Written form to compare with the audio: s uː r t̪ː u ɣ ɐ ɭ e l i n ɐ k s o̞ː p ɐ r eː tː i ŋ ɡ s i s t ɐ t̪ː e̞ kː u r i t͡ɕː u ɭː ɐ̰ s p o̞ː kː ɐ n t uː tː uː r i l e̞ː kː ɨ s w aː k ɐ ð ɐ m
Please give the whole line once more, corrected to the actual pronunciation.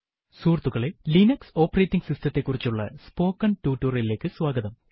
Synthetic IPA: s uː r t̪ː u ɣ ɐ ɭ e l i n ɐ k s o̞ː p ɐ r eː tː i ŋ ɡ s i s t ɐ t̪ː e̞ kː u r i t͡ɕː u ɭː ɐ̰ s p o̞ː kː ɐ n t uː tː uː r i l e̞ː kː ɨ s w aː ɡ ɐ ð ɐ m